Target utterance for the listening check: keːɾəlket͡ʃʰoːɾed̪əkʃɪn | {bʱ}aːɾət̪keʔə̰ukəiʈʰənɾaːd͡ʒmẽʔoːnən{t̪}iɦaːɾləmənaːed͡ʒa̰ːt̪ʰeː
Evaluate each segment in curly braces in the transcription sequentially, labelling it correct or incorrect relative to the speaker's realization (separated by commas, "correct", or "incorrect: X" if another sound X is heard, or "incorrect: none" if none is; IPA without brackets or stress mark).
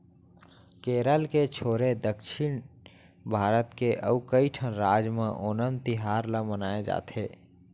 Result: correct, correct